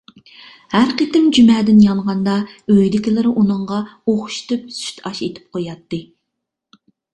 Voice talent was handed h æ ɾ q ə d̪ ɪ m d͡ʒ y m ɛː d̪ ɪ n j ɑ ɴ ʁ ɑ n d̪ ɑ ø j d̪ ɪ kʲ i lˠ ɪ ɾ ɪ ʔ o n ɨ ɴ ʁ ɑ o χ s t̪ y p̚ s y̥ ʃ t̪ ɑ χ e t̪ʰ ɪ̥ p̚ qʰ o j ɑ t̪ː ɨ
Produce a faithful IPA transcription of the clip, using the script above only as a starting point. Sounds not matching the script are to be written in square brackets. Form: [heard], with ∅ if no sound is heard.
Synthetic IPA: h æ ɾ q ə [t̪] ɪ m d͡ʒ y m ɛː d̪ ɪ n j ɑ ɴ ʁ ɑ n d̪ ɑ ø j d̪ ɪ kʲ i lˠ ɪ ɾ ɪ ʔ [u] n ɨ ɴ ʁ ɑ o χ [ʃ] t̪ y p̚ s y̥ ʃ t̪ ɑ [ʃ] e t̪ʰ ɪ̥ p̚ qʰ o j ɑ t̪ː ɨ